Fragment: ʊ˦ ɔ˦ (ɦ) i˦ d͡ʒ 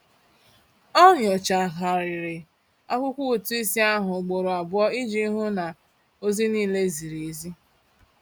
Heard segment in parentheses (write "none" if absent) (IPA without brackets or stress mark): none